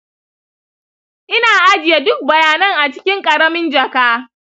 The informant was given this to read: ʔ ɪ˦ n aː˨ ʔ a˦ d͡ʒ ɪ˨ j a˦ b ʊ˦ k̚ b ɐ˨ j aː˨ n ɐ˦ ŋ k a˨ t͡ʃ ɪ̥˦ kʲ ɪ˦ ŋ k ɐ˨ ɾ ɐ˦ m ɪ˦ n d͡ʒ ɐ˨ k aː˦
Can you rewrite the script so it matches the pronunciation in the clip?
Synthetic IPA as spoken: ʔ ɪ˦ n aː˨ ʔ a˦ d͡ʒ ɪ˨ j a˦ d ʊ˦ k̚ b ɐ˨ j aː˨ n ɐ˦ ŋ ʔ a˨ t͡ʃ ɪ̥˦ kʲ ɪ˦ ŋ kʼ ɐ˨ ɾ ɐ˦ m ɪ˦ n d͡ʒ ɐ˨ k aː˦